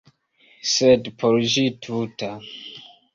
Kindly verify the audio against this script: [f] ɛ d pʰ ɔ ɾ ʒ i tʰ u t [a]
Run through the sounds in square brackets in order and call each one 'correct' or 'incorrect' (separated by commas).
incorrect, correct